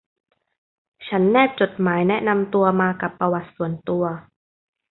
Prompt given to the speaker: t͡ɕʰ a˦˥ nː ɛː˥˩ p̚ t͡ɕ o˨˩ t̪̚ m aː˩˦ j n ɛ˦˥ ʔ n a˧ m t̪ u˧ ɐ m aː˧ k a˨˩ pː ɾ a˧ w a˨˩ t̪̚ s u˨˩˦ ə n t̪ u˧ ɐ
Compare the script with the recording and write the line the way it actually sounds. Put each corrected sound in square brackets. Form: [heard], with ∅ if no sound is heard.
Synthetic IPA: t͡ɕʰ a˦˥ nː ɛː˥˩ p̚ t͡ɕ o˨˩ t̪̚ m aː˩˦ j n ɛ˦˥ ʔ n a˧ m t̪ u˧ ɐ m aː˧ k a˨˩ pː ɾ a˧ w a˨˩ t̪̚ s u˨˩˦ ə n t̪ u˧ ɐ